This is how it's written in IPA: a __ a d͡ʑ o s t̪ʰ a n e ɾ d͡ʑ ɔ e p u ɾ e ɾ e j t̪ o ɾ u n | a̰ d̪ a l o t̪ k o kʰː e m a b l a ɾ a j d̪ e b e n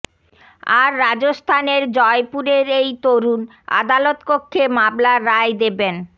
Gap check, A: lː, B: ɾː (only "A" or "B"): B